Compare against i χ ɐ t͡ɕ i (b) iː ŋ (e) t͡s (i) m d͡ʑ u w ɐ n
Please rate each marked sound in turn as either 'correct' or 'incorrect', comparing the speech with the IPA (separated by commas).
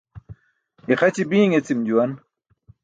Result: correct, correct, correct